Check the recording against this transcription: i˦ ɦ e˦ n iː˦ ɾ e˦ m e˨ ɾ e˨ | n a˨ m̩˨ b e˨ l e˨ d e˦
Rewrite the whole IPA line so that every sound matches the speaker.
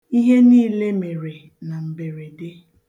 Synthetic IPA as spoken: i˦ ɦ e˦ n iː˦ l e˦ m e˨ ɾ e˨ | n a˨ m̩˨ b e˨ ɾ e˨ d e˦